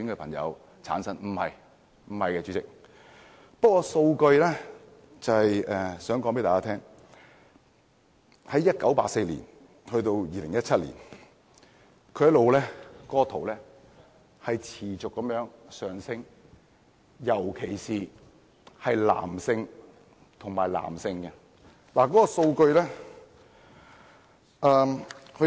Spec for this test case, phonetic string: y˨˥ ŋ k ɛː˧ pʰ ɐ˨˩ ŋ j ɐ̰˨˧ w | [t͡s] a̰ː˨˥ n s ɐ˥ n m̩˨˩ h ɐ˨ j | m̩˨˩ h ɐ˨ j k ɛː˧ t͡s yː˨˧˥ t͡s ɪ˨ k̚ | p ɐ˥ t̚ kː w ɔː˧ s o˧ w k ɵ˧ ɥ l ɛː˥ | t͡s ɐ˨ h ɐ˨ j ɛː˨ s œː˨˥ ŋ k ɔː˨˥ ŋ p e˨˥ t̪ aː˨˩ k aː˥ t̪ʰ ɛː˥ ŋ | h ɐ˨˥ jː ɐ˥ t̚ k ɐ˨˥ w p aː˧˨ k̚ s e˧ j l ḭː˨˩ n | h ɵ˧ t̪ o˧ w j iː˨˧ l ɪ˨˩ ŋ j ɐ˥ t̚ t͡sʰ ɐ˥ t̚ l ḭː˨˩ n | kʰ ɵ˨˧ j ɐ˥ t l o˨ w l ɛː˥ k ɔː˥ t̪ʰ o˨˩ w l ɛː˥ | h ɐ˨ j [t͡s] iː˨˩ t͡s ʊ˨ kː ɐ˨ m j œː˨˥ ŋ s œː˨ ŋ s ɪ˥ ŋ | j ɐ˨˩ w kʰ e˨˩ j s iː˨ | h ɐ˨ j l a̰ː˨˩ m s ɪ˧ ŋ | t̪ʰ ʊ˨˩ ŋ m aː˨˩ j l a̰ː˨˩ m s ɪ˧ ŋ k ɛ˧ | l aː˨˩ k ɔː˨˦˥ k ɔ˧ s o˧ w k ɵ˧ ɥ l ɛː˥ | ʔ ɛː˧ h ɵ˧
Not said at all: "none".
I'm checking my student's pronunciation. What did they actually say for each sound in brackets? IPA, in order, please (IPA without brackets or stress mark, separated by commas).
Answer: t͡sʰ, t͡sʰ